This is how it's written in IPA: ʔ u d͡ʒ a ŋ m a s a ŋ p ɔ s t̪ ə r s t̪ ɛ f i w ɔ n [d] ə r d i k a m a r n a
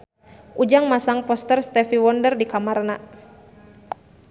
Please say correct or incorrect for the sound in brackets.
correct